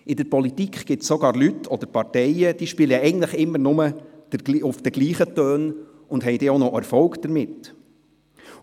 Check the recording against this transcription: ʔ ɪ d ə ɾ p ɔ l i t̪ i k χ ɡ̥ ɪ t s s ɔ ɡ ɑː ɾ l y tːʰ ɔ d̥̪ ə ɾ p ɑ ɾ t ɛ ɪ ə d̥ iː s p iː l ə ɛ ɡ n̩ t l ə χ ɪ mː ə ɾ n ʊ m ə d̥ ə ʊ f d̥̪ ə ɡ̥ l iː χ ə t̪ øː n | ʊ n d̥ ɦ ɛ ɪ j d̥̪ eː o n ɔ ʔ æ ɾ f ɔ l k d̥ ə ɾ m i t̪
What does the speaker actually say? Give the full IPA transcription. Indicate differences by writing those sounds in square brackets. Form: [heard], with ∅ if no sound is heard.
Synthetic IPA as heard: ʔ ɪ d ə ɾ p ɔ l i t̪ i k χ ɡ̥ ɪ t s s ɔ ɡ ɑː ɾ l y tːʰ ɔ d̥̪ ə ɾ p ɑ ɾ t ɛ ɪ ə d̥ iː [ʃ] p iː l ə ɛ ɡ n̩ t l ə χ ɪ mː ə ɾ n ʊ m ə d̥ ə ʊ f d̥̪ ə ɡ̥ l iː χ ə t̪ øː n | ʊ n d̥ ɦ ɛ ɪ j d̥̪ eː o n ɔ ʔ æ ɾ f ɔ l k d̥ ə ɾ m [ɪ] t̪

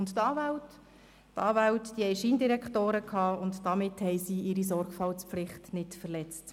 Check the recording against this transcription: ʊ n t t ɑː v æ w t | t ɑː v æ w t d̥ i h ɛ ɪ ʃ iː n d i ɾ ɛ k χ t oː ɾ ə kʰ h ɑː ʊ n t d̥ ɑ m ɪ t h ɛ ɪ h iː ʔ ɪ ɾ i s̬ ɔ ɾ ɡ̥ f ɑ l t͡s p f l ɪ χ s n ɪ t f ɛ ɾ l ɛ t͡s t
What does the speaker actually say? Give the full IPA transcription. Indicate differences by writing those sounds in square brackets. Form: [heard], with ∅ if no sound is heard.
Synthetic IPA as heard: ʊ n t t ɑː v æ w t | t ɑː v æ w t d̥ i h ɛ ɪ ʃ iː n d i ɾ ɛ k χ t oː ɾ ə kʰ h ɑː ʊ n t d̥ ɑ m ɪ t h ɛ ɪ [s] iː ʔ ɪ ɾ i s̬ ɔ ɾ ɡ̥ f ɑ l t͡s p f l ɪ χ [t] n ɪ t f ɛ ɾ l ɛ t͡s t

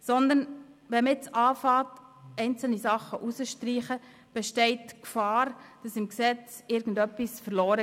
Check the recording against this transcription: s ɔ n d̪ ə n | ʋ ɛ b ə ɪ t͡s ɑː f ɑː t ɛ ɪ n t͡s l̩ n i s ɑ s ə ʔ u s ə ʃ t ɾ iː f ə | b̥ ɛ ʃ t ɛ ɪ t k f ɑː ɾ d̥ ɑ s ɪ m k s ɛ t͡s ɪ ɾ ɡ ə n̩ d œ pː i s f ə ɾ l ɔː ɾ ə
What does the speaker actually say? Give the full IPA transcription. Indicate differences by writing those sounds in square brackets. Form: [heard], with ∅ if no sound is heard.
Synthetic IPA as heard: s ɔ n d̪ ə n | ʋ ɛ [m] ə ɪ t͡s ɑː f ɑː t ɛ ɪ n t͡s l̩ n i s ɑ [χ] ə ʔ u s ə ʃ t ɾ iː [χ] ə | b̥ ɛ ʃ t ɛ ɪ t k f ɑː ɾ d̥ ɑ s ɪ m k s ɛ t͡s ɪ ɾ ɡ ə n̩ d œ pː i s f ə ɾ l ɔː ɾ ə

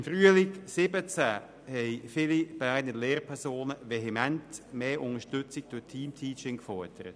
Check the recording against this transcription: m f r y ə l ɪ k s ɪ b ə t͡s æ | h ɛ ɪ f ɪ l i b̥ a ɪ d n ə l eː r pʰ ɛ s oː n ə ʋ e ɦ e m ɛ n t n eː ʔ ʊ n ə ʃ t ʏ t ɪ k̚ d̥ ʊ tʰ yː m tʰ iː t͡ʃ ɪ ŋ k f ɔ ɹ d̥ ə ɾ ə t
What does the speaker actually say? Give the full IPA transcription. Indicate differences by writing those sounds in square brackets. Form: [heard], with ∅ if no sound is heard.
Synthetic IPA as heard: m f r y ə l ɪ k s ɪ b ə t͡s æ | h ɛ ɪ f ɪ l i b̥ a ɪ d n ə l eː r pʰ ɛ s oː n ə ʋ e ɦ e m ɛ n t [m] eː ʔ ʊ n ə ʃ t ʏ [t͡s] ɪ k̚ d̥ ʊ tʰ [iː] m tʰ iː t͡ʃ ɪ ŋ k f ɔ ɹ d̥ ə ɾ ə t

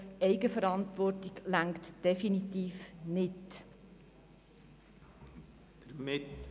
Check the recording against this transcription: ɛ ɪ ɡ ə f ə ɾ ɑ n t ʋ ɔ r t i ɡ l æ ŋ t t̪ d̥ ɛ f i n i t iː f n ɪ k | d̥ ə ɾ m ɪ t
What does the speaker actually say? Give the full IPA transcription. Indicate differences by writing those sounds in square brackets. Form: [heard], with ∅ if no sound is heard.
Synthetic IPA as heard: ɛ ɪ ɡ ə f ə ɾ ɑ n t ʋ ɔ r t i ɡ l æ ŋ [k] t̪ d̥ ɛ f i n i t iː f n ɪ [t] | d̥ ə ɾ m ɪ t

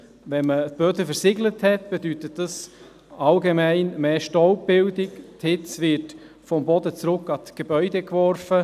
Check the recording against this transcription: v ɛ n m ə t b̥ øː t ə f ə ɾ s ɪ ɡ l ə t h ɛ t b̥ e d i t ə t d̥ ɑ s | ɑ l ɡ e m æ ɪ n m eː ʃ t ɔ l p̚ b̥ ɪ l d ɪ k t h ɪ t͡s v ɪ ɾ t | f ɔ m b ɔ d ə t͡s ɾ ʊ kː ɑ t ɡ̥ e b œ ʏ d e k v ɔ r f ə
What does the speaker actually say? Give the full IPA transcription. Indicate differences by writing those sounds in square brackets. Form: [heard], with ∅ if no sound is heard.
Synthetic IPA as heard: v ɛ n m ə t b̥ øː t ə f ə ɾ s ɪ ɡ l ə t h ɛ t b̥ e d [y] t ə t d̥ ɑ s | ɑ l ɡ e m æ ɪ n m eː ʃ t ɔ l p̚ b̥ ɪ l d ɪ k t h ɪ t͡s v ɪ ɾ t | f ɔ m b ɔ d ə t͡s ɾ ʊ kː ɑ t ɡ̥ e b œ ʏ d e k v ɔ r f ə

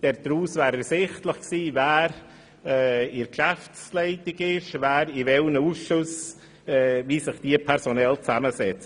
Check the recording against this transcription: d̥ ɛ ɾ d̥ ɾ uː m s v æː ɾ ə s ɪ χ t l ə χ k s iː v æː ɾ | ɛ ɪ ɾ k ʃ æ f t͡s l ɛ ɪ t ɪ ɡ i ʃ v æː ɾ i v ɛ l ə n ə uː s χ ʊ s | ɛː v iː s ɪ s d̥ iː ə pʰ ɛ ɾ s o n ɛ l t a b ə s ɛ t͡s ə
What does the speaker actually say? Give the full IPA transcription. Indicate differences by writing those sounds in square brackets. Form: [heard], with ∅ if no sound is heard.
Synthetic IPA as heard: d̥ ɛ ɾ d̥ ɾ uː [∅] s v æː ɾ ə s ɪ χ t l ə χ k s iː v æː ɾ | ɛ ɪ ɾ k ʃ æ f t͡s l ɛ ɪ t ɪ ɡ [ɪ] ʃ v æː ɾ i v ɛ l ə n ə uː s [ʃ] ʊ s | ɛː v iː s ɪ [χ] d̥ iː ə pʰ ɛ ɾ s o n ɛ l [t͡s] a [m] ə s ɛ t͡s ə

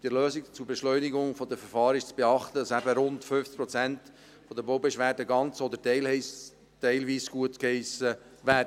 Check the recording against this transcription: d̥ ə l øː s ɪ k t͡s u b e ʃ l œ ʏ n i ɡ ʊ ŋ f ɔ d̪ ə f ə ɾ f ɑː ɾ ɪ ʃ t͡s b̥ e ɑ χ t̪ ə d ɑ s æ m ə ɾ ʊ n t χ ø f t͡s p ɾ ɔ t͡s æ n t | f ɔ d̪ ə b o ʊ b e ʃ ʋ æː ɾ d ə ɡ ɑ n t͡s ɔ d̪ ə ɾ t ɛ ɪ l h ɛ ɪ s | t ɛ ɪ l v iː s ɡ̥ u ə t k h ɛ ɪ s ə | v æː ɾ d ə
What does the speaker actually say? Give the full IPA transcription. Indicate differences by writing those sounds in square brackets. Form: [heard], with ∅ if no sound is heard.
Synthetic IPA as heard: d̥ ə l øː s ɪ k t͡s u b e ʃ l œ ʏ n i ɡ ʊ ŋ f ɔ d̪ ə f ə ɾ f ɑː ɾ ɪ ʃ t͡s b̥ e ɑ χ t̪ ə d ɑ s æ [b] ə ɾ ʊ n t [f] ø f t͡s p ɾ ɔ t͡s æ n t | f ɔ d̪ ə b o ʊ b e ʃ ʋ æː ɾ d ə ɡ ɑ n t͡s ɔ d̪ ə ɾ t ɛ ɪ l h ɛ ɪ s | t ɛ ɪ l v iː s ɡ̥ u ə t k h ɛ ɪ s ə | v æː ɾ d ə

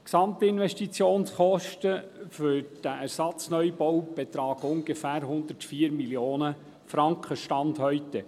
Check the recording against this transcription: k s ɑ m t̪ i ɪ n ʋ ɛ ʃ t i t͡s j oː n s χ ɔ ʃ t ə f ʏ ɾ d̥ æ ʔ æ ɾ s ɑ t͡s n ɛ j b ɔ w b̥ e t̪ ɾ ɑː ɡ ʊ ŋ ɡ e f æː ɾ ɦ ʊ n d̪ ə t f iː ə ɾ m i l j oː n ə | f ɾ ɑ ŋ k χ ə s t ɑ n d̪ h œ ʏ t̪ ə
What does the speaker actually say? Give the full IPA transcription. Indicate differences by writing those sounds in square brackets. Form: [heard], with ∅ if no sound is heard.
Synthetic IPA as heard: k s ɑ m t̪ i ɪ n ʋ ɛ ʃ t i t͡s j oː n s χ ɔ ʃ t ə f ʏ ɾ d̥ æ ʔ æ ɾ s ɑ t͡s n [œ] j b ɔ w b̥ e t̪ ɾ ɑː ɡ ʊ ŋ ɡ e f æː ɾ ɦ ʊ n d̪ ə t f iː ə ɾ m i l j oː n ə | f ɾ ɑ ŋ k χ ə [ʃ] t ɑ n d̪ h œ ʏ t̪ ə

